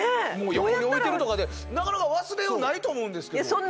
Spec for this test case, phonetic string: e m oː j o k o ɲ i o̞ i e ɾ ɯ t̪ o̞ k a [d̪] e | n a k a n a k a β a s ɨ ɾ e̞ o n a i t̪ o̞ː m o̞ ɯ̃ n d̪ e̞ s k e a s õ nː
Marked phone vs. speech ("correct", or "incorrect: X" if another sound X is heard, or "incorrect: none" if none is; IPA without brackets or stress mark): correct